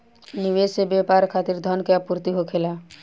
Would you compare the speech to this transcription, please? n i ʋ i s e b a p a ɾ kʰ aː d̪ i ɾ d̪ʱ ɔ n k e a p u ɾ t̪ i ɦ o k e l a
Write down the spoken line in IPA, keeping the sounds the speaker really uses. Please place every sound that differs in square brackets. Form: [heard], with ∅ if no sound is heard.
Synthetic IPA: n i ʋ [e] s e b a p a ɾ kʰ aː [t̪] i ɾ d̪ʱ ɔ n k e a p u ɾ t̪ i ɦ o [kʰ] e l a